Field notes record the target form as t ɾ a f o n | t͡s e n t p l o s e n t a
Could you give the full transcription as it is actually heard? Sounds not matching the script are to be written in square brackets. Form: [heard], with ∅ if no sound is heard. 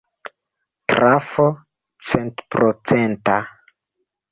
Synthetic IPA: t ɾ a f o [∅] | t͡s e n t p [ɾ] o [t͡s] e n t a